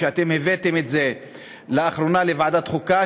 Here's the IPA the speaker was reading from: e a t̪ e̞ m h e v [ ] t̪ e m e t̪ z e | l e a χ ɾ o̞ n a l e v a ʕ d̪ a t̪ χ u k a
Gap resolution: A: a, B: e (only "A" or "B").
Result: B